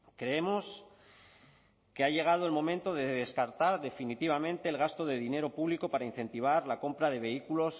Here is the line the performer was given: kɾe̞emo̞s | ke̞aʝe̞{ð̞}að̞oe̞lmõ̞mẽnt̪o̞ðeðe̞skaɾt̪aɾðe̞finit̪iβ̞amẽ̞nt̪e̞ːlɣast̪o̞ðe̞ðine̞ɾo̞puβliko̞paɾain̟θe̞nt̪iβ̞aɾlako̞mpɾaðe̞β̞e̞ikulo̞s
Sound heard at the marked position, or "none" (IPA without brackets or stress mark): ɣ̞